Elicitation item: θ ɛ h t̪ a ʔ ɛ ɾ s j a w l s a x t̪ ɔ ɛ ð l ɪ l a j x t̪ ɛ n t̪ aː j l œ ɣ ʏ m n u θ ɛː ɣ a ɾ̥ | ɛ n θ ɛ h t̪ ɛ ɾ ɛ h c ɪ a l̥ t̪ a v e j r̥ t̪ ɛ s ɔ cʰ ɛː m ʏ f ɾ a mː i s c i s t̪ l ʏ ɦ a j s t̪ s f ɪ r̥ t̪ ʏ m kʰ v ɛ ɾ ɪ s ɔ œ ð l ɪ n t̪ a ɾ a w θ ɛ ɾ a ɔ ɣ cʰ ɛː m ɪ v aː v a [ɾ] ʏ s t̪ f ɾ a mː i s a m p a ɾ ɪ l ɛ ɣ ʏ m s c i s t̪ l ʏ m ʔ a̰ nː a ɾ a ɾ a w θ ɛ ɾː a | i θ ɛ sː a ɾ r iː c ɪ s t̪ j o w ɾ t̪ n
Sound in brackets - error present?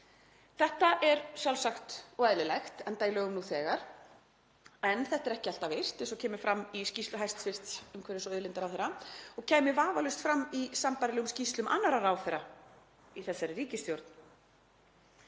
yes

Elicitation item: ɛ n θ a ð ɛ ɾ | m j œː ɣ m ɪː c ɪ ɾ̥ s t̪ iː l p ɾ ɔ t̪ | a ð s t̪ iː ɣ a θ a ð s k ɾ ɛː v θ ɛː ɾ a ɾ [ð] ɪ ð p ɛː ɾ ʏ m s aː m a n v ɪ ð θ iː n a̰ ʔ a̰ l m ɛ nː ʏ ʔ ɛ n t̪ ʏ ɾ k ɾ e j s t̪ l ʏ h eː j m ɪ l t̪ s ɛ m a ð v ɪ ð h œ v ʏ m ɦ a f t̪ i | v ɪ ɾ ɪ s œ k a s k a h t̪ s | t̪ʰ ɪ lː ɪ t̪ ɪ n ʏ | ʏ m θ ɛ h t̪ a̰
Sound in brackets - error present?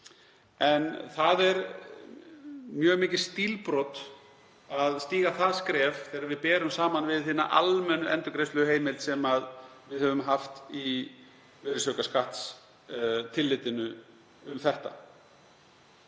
yes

